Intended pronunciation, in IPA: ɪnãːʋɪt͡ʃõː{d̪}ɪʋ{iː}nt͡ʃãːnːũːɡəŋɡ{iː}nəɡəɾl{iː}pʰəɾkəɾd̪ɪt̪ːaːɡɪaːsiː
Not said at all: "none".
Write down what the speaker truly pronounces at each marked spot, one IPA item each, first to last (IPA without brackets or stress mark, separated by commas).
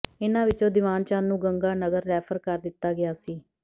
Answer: d̪, aː, aː, ɛː